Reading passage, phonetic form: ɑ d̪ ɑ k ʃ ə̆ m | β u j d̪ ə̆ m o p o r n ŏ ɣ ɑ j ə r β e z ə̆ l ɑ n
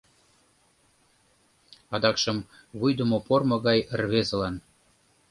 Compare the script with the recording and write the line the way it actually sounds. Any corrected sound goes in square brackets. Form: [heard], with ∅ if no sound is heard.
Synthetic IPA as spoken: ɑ d̪ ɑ k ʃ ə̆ m | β u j d̪ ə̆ m o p o r [m] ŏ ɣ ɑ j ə r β e z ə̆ l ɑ n